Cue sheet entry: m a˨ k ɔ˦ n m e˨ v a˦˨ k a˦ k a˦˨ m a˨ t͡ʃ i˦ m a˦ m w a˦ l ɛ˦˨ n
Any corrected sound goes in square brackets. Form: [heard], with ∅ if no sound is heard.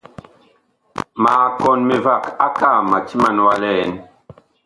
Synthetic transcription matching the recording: m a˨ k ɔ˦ n m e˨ v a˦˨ k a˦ k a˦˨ m a˨ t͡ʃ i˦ m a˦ [n] w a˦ l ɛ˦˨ n